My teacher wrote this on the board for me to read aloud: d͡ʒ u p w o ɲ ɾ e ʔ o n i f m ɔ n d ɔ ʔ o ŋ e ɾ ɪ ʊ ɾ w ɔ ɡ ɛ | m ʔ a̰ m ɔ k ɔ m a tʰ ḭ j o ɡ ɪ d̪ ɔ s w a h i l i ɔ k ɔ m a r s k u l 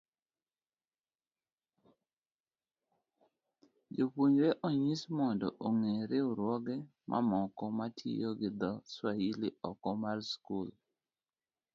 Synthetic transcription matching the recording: d͡ʒ o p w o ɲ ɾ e ʔ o ɲ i s m ɔ n d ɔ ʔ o ŋ e ɾ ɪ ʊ ɾ w ɔ ɡ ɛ | m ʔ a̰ m ɔ k ɔ m a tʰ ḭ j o ɡ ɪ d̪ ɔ s w a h i l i ɔ k ɔ m a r s k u l